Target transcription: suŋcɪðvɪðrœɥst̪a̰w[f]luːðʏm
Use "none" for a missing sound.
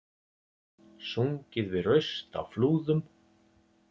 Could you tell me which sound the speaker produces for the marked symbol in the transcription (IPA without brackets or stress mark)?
f